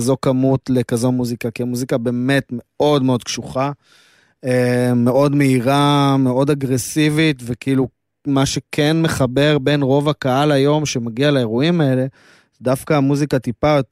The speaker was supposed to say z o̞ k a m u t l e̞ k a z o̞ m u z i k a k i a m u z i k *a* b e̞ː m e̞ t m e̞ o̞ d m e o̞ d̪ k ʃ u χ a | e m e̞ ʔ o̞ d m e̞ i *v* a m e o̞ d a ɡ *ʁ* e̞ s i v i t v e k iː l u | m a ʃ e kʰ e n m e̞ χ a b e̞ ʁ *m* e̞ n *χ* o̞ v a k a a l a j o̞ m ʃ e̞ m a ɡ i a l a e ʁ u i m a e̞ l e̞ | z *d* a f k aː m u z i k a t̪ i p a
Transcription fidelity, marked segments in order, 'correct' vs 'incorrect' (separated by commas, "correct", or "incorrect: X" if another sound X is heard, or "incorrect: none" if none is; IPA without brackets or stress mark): correct, incorrect: ʁ, correct, incorrect: b, incorrect: ʁ, correct